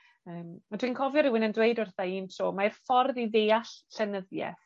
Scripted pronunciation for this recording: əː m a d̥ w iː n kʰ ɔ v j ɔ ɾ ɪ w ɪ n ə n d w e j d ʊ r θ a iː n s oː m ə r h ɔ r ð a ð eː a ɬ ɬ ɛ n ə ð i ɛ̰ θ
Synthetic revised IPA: əː m a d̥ w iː n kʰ ɔ v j ɔ ɾ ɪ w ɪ n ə n d w e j d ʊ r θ a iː n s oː m a r f ɔ r ð i ð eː a ɬ ɬ ɛ n ə ð j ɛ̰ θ